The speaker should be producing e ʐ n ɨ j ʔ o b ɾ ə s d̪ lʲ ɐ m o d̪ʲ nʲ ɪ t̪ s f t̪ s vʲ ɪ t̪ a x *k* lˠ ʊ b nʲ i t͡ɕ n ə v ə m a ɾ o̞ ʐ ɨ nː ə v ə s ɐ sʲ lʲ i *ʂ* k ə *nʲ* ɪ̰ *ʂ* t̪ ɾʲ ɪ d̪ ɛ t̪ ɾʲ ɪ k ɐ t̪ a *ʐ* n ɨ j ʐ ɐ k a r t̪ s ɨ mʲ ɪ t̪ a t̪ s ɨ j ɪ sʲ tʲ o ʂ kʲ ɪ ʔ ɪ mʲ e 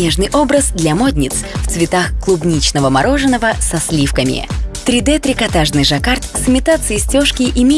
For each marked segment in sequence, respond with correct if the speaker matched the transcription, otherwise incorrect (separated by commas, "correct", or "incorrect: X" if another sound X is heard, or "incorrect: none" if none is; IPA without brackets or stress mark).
correct, incorrect: f, incorrect: mʲ, incorrect: none, correct